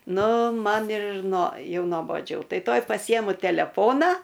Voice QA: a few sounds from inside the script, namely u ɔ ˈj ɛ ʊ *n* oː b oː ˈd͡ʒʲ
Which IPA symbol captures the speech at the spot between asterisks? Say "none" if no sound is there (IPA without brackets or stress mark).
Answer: n